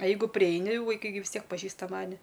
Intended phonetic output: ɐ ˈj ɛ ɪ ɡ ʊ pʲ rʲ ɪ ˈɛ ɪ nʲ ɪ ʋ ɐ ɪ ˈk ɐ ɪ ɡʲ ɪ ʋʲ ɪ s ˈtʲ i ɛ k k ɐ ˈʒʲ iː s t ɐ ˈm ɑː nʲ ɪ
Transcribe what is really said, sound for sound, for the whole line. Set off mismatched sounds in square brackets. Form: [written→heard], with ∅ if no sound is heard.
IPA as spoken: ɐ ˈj ɛ ɪ ɡ ʊ pʲ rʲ ɪ ˈɛ ɪ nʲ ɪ ʋ ɐ ɪ ˈk ɐ ɪ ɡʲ ɪ ʋʲ ɪ s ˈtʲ i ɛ k [k→p] ɐ ˈʒʲ iː s t ɐ ˈm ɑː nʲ ɪ